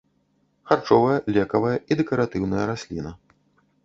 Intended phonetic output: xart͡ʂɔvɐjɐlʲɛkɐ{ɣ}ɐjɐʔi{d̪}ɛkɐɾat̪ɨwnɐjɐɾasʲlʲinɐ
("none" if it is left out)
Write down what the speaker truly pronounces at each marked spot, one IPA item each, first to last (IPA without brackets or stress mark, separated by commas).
v, d̪